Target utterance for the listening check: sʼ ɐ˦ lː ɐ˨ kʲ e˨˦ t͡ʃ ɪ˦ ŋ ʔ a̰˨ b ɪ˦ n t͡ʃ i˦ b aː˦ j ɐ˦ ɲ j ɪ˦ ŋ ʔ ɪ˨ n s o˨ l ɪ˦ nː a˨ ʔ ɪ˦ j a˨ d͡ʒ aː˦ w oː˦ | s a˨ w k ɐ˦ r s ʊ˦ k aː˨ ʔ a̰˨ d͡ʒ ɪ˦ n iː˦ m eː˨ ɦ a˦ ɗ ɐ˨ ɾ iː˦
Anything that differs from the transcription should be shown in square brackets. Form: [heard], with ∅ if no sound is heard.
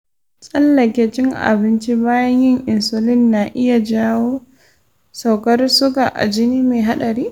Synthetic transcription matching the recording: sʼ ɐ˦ lː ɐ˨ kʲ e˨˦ t͡ʃ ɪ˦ ŋ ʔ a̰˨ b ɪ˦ n t͡ʃ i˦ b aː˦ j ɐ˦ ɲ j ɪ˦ ŋ ʔ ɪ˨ n s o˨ l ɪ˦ nː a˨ ʔ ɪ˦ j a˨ d͡ʒ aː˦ w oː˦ | s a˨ w k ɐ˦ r s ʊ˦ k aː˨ ʔ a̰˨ d͡ʒ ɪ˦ n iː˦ m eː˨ ɦ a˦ ɗ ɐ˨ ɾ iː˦